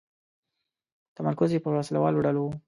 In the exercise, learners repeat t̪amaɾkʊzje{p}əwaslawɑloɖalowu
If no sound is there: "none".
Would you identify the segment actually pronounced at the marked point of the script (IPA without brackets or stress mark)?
p